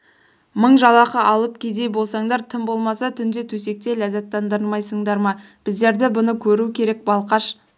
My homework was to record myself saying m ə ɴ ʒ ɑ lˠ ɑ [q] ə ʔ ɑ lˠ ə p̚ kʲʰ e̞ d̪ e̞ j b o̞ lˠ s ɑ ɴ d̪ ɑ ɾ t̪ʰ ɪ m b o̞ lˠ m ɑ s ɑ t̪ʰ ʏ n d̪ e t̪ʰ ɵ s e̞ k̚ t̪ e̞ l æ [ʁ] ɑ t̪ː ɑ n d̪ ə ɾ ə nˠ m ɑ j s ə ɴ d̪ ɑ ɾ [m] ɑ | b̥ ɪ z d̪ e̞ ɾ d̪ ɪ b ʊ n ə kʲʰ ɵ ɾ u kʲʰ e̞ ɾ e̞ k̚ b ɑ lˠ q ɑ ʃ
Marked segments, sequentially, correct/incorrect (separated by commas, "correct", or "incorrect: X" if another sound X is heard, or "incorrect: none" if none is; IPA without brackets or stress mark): correct, incorrect: z, correct